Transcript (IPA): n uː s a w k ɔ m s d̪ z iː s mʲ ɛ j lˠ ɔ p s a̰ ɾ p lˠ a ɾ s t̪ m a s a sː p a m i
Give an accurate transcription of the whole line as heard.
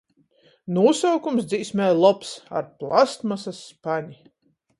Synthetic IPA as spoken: n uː s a w k u m s d̪ z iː s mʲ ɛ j lˠ ɔ p s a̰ ɾ p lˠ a s t̪ m a s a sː p a ɲ i